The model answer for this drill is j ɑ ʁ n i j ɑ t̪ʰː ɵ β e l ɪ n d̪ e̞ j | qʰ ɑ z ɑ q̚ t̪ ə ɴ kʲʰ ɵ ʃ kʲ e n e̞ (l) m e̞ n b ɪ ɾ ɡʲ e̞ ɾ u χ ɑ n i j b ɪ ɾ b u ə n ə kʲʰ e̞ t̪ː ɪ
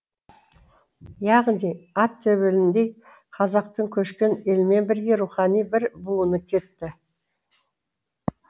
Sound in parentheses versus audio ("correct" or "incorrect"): correct